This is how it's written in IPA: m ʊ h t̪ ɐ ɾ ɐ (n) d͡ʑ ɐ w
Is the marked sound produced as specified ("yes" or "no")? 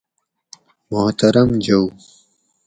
no